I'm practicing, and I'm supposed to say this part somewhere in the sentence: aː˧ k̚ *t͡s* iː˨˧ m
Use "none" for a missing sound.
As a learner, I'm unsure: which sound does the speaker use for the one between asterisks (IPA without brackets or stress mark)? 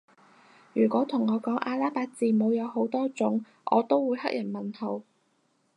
t͡s